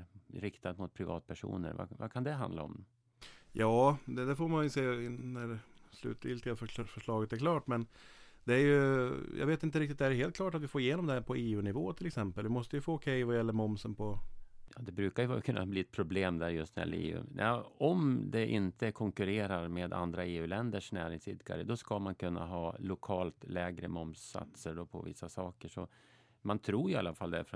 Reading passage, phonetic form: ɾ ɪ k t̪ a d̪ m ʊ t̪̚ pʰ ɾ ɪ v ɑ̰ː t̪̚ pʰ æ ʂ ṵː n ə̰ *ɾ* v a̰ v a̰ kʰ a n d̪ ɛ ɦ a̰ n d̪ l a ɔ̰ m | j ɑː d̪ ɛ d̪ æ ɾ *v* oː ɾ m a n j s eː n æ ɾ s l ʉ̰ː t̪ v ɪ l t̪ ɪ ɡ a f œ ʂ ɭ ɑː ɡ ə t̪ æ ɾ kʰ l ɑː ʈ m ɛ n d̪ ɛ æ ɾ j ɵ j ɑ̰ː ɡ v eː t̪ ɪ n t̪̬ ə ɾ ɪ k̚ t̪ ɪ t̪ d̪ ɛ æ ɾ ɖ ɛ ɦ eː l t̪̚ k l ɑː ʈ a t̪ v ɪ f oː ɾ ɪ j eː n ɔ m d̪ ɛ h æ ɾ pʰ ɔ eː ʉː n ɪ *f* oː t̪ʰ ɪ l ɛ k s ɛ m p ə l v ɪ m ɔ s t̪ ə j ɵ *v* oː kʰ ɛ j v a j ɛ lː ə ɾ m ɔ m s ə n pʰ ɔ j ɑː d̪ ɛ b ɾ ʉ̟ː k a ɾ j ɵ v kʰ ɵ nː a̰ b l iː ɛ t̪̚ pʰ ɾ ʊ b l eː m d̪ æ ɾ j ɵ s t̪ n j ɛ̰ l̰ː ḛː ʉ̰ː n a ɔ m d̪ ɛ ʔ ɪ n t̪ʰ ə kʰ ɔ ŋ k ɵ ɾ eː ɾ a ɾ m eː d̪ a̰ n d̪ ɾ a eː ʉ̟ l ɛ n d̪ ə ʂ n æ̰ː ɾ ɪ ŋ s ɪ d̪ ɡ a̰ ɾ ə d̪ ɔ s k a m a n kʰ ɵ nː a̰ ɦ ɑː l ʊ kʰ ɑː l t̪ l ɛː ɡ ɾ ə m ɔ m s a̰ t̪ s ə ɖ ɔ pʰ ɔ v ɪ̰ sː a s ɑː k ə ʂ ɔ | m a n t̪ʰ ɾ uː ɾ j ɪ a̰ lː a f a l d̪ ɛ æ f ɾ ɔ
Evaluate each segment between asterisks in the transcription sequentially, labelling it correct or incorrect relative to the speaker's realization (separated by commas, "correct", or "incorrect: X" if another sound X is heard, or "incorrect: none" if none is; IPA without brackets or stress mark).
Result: correct, incorrect: f, incorrect: v, incorrect: f